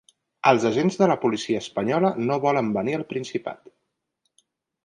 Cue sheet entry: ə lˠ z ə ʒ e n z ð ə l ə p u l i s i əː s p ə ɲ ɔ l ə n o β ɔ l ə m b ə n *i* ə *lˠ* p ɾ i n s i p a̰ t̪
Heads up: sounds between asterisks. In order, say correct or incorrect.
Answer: correct, correct

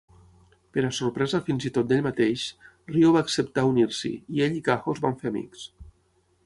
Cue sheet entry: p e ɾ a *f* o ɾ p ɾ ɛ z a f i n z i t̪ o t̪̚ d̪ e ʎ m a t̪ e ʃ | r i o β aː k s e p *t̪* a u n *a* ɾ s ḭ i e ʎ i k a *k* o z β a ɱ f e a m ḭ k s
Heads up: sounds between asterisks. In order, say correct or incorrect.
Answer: incorrect: s, correct, incorrect: i, incorrect: x

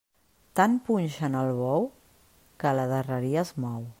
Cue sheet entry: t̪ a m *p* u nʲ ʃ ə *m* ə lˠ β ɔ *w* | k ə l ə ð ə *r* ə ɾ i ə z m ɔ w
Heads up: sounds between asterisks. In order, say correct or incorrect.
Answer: correct, incorrect: n, correct, correct

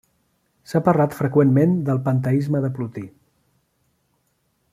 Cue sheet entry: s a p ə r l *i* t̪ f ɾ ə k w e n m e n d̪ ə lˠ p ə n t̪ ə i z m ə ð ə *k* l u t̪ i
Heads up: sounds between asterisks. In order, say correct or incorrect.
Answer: incorrect: a, incorrect: p

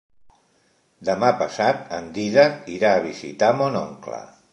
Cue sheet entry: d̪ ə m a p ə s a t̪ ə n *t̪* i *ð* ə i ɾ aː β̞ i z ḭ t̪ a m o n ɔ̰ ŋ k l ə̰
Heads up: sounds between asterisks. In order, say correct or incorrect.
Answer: incorrect: d̪, correct

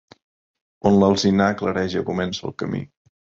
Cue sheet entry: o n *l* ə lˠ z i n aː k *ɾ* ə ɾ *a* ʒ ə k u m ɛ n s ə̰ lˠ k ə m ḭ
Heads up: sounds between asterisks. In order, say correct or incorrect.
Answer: correct, incorrect: l, incorrect: ɛ

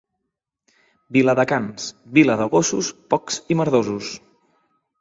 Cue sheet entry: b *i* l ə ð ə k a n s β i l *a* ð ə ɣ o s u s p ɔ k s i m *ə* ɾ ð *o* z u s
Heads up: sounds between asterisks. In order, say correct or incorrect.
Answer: correct, incorrect: ə, correct, correct

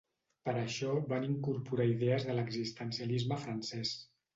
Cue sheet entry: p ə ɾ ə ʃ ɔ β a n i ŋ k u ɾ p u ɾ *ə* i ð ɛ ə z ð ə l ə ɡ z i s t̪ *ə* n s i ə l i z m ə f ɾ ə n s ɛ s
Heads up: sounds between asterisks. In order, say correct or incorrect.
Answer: incorrect: a, correct

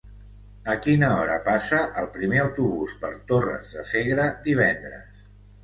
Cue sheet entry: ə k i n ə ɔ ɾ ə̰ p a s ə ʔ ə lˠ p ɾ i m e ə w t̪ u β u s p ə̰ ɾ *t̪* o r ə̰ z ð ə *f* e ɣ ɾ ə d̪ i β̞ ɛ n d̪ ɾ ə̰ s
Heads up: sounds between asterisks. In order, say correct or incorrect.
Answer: correct, incorrect: s

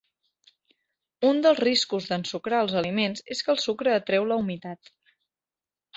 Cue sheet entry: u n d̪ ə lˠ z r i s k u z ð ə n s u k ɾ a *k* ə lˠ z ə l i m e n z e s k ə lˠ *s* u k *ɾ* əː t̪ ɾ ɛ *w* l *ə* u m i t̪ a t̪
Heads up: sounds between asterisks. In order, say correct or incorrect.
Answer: incorrect: none, correct, correct, correct, correct

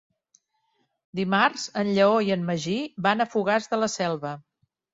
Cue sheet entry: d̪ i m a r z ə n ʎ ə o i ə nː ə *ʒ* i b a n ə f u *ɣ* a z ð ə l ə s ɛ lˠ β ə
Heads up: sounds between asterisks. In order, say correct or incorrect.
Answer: correct, correct

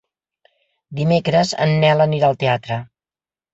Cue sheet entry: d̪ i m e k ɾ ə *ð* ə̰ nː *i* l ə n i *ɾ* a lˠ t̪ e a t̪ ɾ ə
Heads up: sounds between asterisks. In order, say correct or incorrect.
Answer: incorrect: z, incorrect: ɛ, correct

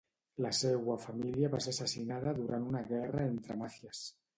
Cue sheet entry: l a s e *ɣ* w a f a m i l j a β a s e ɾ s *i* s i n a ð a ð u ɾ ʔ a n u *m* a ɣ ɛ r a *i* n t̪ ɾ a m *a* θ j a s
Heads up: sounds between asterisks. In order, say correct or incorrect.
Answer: correct, incorrect: a, incorrect: n, incorrect: e, correct

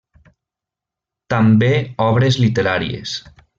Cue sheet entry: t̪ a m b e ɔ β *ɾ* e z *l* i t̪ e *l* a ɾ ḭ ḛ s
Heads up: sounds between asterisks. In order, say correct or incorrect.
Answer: correct, correct, incorrect: ɾ

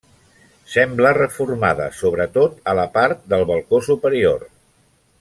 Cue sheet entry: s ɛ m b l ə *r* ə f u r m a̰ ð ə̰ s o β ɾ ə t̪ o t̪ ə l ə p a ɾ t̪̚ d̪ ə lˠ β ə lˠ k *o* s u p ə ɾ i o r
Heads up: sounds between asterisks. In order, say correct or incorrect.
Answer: correct, correct

